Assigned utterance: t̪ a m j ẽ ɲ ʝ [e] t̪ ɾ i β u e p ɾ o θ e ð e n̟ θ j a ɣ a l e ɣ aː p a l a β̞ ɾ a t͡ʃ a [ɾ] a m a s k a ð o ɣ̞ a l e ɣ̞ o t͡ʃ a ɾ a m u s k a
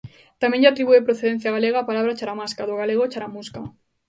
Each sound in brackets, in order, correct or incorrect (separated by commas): incorrect, correct